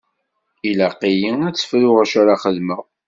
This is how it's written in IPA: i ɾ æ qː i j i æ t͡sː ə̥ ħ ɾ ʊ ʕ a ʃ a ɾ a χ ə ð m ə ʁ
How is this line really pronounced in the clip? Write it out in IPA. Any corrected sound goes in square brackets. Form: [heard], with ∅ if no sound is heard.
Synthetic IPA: i [l] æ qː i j i æ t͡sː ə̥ [f] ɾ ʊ [ʁ] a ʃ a ɾ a χ ə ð m ə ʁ